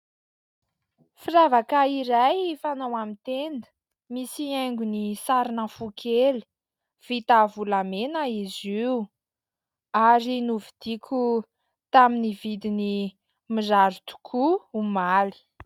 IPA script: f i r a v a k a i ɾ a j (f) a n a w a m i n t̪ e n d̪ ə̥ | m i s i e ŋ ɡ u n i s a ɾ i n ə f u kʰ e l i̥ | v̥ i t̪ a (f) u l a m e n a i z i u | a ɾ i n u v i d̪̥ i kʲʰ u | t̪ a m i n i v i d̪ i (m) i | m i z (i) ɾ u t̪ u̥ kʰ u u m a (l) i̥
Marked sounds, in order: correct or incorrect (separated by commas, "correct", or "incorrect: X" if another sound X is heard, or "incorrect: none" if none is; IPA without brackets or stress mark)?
correct, incorrect: v, incorrect: n, incorrect: a, correct